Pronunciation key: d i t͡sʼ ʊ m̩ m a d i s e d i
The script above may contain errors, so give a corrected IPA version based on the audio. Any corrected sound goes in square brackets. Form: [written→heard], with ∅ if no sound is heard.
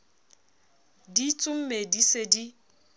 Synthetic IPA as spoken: d i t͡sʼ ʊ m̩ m [a→e] d i s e d i